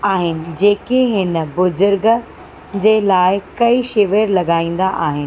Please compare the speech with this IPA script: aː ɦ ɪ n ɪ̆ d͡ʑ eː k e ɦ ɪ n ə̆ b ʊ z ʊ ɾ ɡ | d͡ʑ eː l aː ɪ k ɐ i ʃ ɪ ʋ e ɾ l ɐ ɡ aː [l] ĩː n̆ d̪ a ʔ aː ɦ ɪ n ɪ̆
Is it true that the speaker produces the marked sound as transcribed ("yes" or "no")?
no